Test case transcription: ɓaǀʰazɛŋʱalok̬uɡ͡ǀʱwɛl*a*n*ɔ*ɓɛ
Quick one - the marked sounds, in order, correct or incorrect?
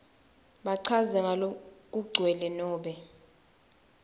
incorrect: ɛ, incorrect: ɔː

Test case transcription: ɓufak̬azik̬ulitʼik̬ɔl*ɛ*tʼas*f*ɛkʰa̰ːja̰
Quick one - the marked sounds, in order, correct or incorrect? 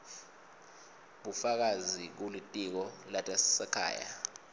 incorrect: a, incorrect: s

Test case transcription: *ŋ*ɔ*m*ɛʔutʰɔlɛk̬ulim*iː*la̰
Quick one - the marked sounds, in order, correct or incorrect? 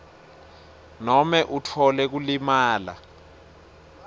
incorrect: n, correct, incorrect: aː

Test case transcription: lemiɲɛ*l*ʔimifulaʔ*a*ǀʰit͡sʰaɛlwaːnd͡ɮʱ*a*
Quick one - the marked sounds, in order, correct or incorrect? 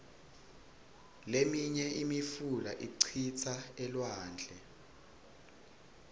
incorrect: none, incorrect: i, incorrect: ɛ

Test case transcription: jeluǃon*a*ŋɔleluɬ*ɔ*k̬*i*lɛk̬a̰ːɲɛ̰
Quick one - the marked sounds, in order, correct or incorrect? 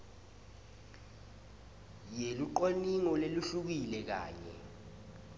incorrect: i, incorrect: u, correct

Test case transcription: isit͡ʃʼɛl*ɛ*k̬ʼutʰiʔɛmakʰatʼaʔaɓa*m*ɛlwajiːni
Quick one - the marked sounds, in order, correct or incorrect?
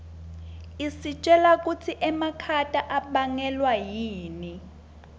incorrect: a, incorrect: ŋ

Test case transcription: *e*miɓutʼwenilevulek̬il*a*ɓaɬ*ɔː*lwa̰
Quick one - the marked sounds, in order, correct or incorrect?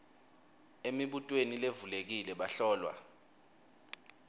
correct, incorrect: ɛ, correct

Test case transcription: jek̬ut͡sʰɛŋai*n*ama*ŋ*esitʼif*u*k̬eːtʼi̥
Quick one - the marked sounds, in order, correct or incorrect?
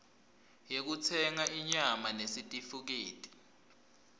incorrect: ɲ, incorrect: n, correct

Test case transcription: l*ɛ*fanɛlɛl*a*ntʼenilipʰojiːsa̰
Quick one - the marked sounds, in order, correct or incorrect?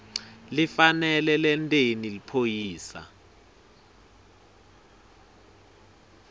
incorrect: i, incorrect: ɛ

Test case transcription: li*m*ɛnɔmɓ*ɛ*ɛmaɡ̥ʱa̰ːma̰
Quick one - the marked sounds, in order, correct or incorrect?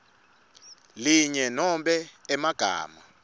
incorrect: ɲ, correct

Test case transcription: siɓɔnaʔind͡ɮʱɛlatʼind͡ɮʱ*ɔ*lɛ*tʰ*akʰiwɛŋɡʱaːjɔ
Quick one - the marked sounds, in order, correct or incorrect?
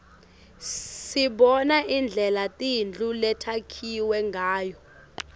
incorrect: u, correct

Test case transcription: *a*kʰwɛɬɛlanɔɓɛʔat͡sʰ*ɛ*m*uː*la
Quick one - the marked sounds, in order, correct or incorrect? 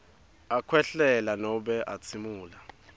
correct, incorrect: i, correct

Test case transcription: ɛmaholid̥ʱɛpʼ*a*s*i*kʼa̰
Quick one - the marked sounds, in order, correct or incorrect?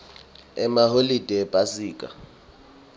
correct, incorrect: iː

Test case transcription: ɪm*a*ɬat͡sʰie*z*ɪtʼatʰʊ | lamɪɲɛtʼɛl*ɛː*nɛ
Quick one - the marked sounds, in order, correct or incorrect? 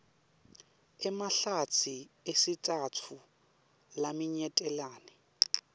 correct, incorrect: s, incorrect: aː

